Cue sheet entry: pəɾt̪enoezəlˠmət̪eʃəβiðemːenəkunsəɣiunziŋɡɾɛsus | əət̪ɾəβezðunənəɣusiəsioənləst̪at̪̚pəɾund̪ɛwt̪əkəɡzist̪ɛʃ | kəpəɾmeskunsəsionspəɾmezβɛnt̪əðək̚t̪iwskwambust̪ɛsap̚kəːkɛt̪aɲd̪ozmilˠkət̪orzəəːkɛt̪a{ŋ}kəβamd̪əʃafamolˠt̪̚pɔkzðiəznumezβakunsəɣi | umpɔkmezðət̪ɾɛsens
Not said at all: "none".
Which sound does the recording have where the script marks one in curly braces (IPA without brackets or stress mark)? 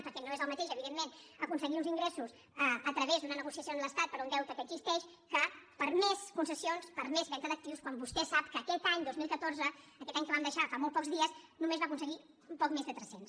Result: ɲ